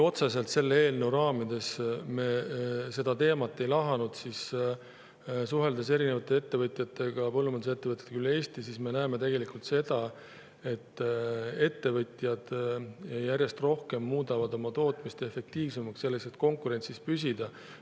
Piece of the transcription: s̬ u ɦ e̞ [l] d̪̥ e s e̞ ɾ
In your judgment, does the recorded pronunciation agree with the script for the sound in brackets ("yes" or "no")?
yes